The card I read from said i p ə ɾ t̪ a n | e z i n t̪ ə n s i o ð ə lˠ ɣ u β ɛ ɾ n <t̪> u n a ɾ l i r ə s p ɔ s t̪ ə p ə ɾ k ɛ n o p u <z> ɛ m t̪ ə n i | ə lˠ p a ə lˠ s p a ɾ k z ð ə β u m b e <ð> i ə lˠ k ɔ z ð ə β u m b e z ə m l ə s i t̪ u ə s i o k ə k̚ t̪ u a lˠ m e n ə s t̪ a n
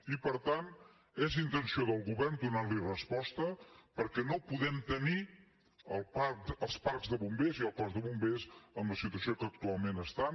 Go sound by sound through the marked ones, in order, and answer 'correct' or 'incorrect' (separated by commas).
incorrect, incorrect, incorrect